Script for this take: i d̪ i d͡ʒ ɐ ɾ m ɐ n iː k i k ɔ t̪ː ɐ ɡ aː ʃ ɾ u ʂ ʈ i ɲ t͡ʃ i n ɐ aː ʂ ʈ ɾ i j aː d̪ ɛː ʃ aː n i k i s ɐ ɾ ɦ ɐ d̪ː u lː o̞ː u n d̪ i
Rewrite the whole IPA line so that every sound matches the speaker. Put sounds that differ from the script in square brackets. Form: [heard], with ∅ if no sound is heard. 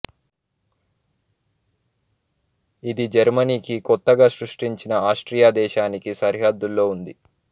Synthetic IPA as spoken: i d̪ i d͡ʒ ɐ ɾ m ɐ n iː k i k ɔ t̪ː ɐ ɡ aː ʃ ɾ u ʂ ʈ i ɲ t͡ʃ i n ɐ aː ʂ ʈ ɾ i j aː d̪ ɛː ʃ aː n i k i s ɐ ɾ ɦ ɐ d̪ː u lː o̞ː u n d̪ i

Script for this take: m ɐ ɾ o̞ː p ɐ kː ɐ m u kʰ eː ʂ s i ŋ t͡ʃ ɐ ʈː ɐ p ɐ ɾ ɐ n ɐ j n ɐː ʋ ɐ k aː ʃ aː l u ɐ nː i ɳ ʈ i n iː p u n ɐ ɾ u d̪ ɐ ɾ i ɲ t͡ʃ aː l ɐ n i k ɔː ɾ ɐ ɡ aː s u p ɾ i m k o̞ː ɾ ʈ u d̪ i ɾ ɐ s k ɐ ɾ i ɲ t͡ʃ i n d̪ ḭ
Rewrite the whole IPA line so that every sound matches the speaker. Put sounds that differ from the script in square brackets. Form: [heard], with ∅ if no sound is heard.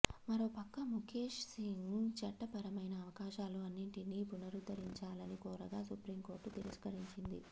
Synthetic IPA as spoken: m ɐ ɾ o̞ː p ɐ kː ɐ m u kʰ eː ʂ s i ŋ t͡ʃ ɐ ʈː ɐ p ɐ ɾ ɐ [m] ɐ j n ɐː ʋ ɐ k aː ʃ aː l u ɐ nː i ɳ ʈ i n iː p u n ɐ ɾ u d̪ ɐ ɾ i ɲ t͡ʃ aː l ɐ n i k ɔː ɾ ɐ ɡ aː s u p ɾ i m k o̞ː ɾ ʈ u [t̪] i ɾ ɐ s k ɐ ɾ i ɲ t͡ʃ i n d̪ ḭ

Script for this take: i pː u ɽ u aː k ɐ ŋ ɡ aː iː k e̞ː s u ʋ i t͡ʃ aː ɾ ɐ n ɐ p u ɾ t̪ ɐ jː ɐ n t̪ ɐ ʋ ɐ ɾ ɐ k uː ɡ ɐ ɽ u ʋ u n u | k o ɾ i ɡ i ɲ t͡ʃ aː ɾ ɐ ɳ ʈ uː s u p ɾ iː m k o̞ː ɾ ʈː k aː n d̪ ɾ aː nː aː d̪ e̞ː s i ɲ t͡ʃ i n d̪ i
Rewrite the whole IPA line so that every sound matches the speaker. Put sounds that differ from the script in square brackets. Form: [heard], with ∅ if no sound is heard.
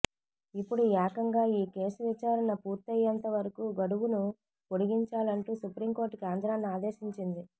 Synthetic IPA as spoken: i pː u ɽ u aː k ɐ ŋ ɡ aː iː k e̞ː s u ʋ i t͡ʃ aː ɾ ɐ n ɐ p [uː] ɾ t̪ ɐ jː ɐ n t̪ ɐ ʋ ɐ ɾ ɐ k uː ɡ ɐ ɽ u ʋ u n u | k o [ɽ] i ɡ i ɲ t͡ʃ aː [l] ɐ ɳ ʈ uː s u p ɾ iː m k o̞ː ɾ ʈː k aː n d̪ ɾ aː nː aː d̪ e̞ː [ʃ] i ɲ t͡ʃ i n d̪ i

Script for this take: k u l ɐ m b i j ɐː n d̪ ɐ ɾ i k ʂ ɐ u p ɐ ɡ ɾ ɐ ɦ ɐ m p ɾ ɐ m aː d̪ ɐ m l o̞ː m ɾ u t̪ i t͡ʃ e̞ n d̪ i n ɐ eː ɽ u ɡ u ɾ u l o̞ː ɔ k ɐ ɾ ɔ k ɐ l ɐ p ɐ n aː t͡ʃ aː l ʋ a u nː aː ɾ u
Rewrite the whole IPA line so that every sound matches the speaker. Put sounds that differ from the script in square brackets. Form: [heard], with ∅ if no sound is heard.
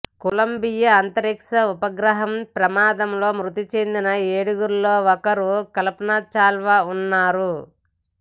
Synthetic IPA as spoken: k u l ɐ m b i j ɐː n [t̪] ɐ ɾ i k ʂ ɐ u p ɐ ɡ ɾ ɐ ɦ ɐ m p ɾ ɐ m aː d̪ ɐ m l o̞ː m ɾ u t̪ i t͡ʃ e̞ n d̪ i n ɐ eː ɽ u ɡ u ɾ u l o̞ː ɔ k ɐ ɾ [u] k ɐ l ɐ p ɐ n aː t͡ʃ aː l ʋ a u nː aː ɾ u

